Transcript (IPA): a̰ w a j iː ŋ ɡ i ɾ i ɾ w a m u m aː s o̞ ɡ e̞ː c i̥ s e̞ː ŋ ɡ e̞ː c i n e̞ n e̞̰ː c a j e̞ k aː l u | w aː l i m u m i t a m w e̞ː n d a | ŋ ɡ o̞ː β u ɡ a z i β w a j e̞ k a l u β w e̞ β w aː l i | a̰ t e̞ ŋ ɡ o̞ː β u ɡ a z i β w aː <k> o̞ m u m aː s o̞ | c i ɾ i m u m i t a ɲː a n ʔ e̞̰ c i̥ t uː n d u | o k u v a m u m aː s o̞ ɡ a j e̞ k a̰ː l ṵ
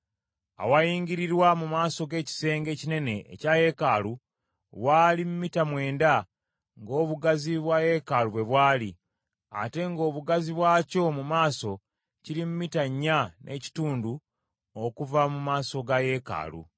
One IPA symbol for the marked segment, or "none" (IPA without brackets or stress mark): c